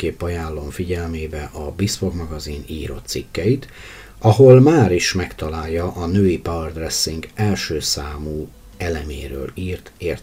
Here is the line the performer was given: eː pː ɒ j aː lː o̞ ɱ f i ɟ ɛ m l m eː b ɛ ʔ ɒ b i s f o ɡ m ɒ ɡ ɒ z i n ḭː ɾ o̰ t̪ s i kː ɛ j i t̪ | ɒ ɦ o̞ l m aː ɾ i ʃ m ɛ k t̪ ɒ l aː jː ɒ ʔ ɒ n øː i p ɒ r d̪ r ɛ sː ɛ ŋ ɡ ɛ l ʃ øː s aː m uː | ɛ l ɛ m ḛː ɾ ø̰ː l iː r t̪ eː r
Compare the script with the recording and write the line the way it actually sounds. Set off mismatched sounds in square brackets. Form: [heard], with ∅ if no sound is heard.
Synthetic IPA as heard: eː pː ɒ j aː lː o̞ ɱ f i ɟ ɛ [∅] l m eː b ɛ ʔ ɒ b i s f o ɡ m ɒ ɡ ɒ z i n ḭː ɾ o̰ t̪ s i kː ɛ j i t̪ | ɒ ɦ o̞ l m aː ɾ i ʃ m ɛ k t̪ ɒ l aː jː ɒ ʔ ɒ n øː i p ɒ r d̪ r ɛ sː [i] ŋ ɡ ɛ l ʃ øː s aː m uː | ɛ l ɛ m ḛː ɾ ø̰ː l iː r t̪ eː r